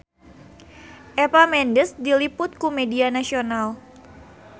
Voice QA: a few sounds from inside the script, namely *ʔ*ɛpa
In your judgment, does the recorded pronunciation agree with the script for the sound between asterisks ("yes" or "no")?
yes